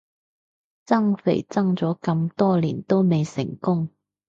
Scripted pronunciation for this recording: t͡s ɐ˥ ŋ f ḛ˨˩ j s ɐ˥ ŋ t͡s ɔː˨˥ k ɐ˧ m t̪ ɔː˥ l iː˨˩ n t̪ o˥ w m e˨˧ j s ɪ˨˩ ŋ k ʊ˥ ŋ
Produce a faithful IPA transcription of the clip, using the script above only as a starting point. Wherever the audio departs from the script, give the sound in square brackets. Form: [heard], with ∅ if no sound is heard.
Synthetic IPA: t͡s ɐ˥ ŋ f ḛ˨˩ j [t͡s] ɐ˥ ŋ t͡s ɔː˨˥ k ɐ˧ m t̪ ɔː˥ l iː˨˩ n t̪ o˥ w m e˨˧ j s ɪ˨˩ ŋ k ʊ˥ ŋ